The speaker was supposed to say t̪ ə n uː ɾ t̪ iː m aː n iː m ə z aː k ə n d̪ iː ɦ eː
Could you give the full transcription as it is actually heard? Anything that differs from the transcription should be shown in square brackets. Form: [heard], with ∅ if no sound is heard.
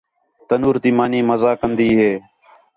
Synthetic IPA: t̪ ə n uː ɾ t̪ iː m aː n iː m ə z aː k ə n d̪ iː ɦ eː